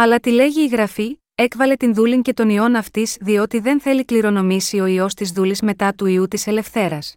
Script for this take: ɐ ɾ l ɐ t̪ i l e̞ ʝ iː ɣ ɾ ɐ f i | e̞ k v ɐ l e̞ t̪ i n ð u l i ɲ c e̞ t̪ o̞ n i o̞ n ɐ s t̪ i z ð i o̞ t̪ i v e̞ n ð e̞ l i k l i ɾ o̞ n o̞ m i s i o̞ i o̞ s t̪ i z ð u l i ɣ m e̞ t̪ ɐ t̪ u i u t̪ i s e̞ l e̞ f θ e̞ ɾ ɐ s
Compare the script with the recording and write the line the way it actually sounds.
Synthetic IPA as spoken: ɐ l ɐ t̪ i l e̞ ʝ iː ɣ ɾ ɐ f i | e̞ k v ɐ l e̞ t̪ i n ð u l i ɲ c e̞ t̪ o̞ n i o̞ n ɐ f t̪ i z ð i o̞ t̪ i ð e̞ n θ e̞ l i k l i ɾ o̞ n o̞ m i s i o̞ i o̞ s t̪ i z ð u l i z m e̞ t̪ ɐ t̪ u i u t̪ i s e̞ l e̞ f θ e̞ ɾ ɐ s